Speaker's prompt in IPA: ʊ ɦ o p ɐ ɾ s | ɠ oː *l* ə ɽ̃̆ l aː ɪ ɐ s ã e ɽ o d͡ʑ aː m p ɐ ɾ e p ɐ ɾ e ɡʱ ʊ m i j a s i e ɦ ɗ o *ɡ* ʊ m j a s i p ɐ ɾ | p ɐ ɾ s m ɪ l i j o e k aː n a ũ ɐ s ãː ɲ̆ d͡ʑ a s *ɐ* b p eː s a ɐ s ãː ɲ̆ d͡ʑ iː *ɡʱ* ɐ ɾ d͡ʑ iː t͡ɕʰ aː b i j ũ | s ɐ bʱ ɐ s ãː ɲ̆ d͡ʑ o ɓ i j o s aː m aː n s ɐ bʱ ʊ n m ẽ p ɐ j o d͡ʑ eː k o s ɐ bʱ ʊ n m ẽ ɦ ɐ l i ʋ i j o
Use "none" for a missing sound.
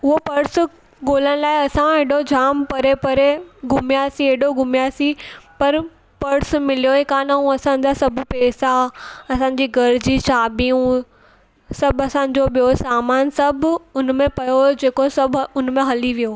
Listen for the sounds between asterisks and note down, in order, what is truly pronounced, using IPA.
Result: l, ɡ, ɐ, ɡʱ

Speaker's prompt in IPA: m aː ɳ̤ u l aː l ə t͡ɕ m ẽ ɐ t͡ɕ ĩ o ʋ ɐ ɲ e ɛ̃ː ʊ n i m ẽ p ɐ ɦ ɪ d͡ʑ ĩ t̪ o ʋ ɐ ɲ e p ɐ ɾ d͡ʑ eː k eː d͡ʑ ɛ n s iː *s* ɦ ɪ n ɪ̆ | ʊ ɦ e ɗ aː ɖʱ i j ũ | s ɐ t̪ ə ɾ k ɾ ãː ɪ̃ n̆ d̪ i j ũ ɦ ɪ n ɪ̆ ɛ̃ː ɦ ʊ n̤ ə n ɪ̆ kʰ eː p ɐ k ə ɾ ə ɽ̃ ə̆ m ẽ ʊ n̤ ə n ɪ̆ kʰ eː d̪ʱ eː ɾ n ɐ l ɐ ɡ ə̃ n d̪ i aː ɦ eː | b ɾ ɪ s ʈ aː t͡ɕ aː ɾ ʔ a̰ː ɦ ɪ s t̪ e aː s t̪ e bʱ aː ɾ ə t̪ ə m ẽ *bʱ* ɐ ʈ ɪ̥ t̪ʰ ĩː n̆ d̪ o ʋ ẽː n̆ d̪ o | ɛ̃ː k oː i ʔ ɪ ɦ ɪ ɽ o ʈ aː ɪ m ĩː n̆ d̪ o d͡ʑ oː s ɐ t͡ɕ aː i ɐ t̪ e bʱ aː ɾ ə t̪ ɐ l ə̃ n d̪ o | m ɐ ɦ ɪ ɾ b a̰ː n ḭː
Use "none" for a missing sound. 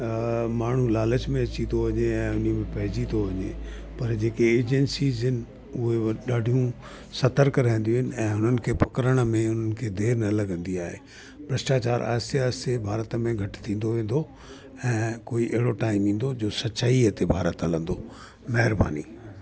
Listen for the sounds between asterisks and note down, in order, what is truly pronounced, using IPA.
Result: z, ɡʱ

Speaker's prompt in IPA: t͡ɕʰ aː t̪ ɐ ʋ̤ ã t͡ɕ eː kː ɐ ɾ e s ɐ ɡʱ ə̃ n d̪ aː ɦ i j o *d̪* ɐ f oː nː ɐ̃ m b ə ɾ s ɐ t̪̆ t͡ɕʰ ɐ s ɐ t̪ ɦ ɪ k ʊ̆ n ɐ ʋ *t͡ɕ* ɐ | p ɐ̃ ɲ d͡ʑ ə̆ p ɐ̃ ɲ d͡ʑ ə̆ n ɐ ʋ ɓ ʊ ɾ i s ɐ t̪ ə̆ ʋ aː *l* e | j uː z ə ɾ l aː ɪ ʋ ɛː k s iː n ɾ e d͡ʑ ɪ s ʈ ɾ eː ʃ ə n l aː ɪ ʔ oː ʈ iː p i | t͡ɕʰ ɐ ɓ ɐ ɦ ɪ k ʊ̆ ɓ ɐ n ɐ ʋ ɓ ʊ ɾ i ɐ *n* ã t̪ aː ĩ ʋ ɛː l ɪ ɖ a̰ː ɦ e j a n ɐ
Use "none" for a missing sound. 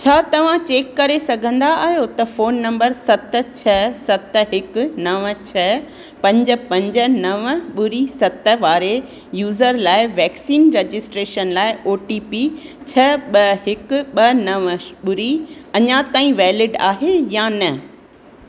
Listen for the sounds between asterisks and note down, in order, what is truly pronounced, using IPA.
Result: t̪, t͡ɕʰ, ɾ, ɲ

